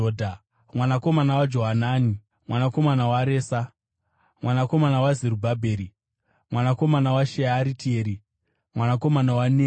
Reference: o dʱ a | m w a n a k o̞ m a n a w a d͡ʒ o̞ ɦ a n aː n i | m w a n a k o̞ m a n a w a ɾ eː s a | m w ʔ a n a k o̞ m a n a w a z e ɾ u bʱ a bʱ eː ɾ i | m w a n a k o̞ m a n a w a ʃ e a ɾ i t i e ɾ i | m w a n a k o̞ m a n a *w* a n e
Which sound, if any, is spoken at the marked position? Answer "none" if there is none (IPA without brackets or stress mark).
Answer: w